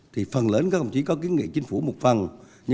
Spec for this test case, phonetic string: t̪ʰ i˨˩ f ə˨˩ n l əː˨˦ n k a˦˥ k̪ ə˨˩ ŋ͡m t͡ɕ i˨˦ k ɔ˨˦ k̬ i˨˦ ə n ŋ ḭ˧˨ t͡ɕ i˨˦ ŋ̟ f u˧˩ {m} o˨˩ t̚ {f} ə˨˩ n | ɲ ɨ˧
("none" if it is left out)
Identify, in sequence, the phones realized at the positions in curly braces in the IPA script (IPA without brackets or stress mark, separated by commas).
m, f